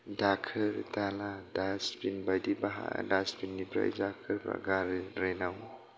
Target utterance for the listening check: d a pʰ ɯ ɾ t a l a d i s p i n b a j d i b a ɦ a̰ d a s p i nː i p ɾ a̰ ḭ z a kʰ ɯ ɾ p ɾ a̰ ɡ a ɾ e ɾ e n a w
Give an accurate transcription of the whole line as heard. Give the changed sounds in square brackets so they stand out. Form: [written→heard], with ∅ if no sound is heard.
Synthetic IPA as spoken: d a [pʰ→kʰ] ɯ ɾ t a l a d [i→a] s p i n b a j d i b a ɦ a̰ d a s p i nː i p ɾ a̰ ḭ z a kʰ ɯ ɾ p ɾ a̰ ɡ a ɾ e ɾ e n a w